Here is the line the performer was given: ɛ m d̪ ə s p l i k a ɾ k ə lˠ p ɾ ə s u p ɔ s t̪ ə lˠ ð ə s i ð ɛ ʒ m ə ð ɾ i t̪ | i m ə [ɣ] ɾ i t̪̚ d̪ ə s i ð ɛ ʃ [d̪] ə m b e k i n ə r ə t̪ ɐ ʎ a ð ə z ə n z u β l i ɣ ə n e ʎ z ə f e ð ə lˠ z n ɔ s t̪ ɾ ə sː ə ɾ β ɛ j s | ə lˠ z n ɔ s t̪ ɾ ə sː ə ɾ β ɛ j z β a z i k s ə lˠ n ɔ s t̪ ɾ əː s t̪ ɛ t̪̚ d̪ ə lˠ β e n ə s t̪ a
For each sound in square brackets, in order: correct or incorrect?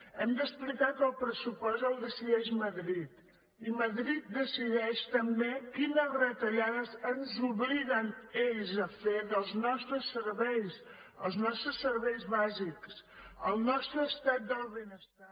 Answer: incorrect, incorrect

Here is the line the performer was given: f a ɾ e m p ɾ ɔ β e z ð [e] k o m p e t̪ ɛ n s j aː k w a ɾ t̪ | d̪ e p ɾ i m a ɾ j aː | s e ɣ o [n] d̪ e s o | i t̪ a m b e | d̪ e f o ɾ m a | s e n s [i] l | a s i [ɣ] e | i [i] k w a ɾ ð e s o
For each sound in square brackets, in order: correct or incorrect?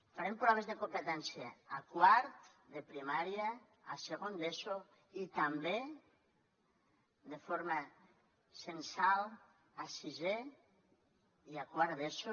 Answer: correct, correct, incorrect, incorrect, incorrect

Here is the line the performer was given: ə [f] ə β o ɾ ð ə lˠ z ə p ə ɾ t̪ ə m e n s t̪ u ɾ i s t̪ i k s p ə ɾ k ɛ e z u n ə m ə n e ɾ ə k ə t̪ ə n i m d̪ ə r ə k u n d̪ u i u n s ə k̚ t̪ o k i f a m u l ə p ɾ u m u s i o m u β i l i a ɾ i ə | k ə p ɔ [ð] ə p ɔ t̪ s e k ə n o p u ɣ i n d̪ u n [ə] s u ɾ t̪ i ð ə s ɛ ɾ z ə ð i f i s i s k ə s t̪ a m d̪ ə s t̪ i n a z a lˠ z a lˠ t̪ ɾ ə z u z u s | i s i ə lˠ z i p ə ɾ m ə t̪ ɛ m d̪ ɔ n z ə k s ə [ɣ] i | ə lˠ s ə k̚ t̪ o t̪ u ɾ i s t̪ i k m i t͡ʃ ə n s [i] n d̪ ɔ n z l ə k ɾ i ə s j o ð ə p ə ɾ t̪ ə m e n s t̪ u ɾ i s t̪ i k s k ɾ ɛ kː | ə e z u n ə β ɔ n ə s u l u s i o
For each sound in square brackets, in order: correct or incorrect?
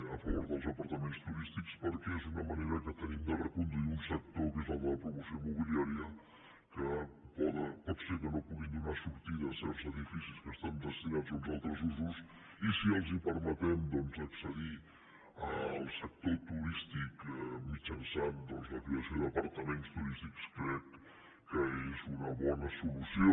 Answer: correct, correct, incorrect, incorrect, incorrect

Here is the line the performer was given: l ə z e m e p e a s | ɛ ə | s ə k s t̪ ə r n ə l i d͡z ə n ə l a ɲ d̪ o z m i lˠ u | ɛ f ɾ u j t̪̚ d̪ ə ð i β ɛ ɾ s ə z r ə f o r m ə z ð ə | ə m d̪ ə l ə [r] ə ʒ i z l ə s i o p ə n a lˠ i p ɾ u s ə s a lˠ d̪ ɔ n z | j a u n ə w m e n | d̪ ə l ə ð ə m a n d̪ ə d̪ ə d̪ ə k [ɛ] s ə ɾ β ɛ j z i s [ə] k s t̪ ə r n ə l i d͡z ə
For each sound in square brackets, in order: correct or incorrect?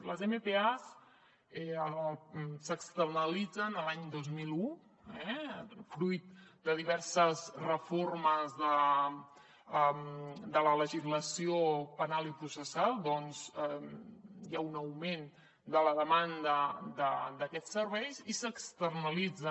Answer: incorrect, correct, correct

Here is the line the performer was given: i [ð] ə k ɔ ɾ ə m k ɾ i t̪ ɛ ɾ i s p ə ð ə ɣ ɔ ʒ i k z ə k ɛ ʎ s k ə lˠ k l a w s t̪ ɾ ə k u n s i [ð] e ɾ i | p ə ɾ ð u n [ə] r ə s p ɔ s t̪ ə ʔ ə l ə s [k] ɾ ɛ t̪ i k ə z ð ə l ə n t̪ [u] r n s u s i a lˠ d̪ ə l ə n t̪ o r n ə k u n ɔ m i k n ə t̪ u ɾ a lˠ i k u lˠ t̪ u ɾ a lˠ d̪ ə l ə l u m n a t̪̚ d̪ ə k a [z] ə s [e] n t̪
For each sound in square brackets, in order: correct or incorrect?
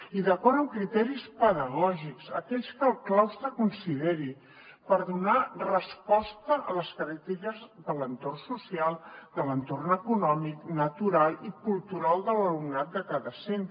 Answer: correct, correct, incorrect, correct, incorrect, incorrect, correct

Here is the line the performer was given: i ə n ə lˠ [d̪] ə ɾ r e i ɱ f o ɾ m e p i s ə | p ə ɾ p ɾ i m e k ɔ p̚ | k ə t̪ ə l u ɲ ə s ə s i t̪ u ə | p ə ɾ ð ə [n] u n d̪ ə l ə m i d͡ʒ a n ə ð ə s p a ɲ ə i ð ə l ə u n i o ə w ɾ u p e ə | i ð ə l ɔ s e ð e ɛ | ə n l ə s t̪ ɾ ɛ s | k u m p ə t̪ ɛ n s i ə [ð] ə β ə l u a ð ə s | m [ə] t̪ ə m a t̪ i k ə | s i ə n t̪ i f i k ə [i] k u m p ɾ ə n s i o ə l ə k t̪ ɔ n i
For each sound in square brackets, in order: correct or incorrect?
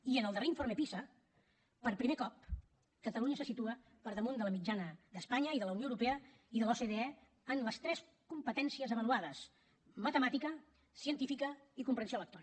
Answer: correct, incorrect, incorrect, correct, correct

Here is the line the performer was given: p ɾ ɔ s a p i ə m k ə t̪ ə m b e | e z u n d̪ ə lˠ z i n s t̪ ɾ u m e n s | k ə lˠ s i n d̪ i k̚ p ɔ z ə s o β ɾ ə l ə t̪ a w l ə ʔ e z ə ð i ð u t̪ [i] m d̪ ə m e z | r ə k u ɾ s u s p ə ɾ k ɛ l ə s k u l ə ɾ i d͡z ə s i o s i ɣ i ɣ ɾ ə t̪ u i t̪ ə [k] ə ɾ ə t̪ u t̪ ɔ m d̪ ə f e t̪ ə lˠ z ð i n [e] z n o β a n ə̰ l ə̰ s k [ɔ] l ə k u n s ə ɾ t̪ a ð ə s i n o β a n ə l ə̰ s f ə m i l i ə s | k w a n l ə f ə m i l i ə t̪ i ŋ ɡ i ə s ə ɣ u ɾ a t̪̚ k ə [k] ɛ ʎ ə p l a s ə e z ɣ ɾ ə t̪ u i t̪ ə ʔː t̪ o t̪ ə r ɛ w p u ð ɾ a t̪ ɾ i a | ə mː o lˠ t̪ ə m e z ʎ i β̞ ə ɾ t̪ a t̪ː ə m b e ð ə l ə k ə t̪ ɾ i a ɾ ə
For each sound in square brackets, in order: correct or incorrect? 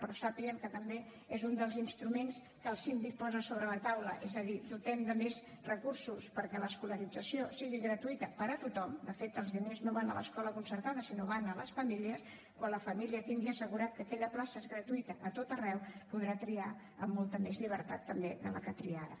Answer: incorrect, incorrect, correct, correct, correct

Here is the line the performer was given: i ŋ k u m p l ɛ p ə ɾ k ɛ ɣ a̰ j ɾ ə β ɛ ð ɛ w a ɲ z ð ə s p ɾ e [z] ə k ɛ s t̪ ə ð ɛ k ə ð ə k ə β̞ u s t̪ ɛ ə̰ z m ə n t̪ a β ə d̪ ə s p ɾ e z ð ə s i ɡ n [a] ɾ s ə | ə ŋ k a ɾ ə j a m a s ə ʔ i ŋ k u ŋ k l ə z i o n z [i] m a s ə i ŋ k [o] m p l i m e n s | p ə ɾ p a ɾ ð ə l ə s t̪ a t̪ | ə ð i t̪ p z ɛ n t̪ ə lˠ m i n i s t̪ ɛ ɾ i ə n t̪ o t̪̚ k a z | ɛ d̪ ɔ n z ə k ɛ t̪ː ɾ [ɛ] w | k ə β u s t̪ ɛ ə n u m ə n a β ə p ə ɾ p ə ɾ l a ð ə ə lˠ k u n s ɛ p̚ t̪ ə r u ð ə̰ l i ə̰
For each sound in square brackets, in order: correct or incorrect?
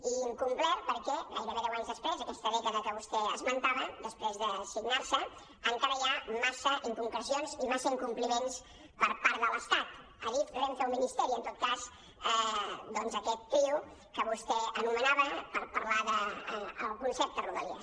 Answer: correct, correct, correct, incorrect, incorrect

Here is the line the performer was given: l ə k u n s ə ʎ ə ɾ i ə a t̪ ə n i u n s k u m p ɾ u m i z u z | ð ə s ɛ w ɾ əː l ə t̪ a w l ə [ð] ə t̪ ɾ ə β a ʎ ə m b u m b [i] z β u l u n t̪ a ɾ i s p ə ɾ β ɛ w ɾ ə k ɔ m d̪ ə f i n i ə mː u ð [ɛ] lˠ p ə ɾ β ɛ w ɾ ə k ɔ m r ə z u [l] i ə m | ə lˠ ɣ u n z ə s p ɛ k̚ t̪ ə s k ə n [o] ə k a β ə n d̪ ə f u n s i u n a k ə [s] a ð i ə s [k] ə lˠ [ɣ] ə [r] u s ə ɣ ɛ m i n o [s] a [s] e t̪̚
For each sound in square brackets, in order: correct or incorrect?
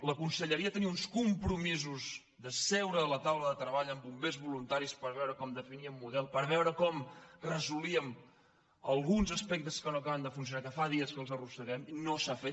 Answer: correct, incorrect, correct, correct, correct, incorrect, correct, incorrect, correct, correct, incorrect

